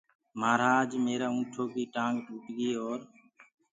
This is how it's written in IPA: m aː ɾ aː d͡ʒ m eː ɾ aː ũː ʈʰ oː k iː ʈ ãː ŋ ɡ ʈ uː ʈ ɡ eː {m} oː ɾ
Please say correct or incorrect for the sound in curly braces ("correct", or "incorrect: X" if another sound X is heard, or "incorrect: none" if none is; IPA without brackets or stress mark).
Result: incorrect: none